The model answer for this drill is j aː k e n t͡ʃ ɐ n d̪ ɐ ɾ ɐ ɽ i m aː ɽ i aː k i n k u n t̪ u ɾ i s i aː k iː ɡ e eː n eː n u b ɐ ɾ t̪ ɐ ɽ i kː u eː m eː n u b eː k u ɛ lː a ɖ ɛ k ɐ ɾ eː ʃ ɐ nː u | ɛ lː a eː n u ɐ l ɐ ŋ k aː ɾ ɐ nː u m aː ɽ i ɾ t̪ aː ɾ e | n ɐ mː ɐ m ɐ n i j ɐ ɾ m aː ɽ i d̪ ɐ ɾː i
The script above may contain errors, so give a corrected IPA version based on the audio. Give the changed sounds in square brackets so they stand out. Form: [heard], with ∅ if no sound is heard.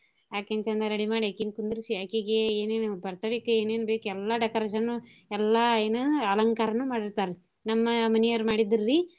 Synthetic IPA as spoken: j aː k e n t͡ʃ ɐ n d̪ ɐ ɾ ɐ ɽ i m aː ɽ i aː k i n k u n [d̪] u ɾ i s i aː k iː ɡ e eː n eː n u b ɐ ɾ t̪ ɐ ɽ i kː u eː [n] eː n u b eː k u ɛ lː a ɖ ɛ k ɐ ɾ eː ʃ ɐ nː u | ɛ lː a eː n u ɐ l ɐ ŋ k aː ɾ ɐ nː u m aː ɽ i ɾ t̪ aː ɾ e | n ɐ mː ɐ m ɐ n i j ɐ ɾ m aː ɽ i d̪ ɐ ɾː i